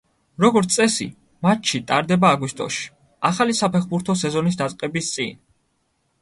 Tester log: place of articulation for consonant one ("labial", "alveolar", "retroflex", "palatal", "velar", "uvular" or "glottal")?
alveolar